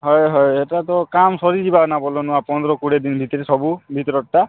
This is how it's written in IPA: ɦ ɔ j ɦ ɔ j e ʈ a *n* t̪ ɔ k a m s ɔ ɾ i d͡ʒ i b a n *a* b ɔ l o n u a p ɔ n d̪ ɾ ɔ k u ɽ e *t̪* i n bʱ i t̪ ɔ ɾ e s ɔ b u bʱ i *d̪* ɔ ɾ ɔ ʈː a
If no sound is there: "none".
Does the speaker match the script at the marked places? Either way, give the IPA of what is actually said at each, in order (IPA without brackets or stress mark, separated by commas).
none, a, d̪, t̪